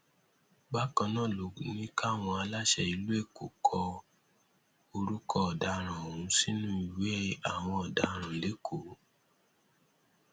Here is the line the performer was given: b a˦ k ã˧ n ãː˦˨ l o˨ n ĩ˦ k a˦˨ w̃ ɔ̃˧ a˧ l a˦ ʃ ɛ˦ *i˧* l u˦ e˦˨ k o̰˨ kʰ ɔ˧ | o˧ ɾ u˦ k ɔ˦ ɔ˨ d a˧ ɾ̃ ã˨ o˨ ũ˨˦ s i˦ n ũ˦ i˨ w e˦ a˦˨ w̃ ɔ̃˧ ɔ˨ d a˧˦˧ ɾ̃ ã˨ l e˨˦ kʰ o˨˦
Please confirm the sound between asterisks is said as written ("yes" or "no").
yes